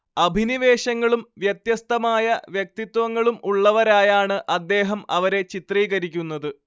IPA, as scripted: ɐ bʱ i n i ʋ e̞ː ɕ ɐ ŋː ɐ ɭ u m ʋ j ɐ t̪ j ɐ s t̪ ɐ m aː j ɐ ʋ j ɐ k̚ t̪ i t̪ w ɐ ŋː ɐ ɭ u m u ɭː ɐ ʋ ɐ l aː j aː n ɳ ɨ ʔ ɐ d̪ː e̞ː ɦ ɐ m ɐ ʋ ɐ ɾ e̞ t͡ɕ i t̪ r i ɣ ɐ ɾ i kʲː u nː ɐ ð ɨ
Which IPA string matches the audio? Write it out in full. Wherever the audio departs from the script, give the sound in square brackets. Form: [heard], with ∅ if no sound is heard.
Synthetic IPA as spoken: ɐ bʱ i n i ʋ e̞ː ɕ ɐ ŋː ɐ ɭ u m ʋ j ɐ t̪ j ɐ s t̪ ɐ m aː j ɐ ʋ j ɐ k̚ t̪ i t̪ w ɐ ŋː ɐ ɭ u m u ɭː ɐ ʋ ɐ [ɾ] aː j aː [∅] ɳ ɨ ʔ ɐ d̪ː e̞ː ɦ ɐ m ɐ ʋ ɐ ɾ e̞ t͡ɕ i t̪ r [iː] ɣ ɐ ɾ i kʲː u nː ɐ ð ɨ